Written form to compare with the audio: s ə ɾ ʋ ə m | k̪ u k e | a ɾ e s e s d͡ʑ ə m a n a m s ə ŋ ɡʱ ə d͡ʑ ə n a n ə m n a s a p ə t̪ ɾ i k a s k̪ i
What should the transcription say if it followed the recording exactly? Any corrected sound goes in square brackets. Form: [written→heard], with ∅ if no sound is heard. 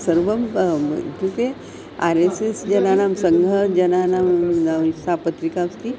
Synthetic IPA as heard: s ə ɾ ʋ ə m | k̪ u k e | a ɾ e s e s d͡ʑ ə [m→n] a n a m s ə ŋ ɡʱ ə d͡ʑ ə n a n [ə→a] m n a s a p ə t̪ ɾ i k a s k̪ i